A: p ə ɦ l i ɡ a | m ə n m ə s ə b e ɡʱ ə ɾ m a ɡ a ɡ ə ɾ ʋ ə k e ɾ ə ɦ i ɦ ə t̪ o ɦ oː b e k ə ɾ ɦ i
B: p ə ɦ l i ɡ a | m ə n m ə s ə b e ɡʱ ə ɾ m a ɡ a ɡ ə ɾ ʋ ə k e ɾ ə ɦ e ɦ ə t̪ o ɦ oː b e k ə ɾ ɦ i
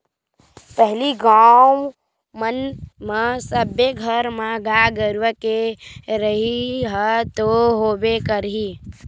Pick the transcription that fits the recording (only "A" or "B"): A